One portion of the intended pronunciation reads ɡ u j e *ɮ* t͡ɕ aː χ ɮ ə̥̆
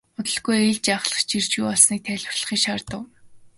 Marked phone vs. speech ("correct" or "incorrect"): correct